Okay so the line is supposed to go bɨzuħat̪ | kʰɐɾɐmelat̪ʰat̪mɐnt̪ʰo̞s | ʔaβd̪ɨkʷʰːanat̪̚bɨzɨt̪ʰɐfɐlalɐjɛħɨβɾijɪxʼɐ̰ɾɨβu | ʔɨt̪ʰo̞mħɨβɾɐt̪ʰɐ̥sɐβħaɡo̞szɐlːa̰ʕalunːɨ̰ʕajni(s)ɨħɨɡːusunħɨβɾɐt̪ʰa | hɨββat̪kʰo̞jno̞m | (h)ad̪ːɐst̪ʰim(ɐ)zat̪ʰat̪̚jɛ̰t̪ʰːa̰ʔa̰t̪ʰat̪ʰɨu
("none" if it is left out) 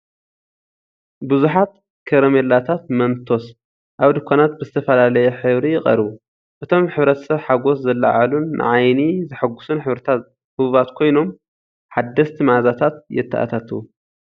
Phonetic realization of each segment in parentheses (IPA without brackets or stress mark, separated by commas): z, ħ, a